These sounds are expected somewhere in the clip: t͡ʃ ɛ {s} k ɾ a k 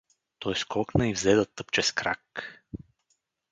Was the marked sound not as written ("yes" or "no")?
no